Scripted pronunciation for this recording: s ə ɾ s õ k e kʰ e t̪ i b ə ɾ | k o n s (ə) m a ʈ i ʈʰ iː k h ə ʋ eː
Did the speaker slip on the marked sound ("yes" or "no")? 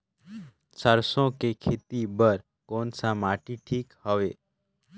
yes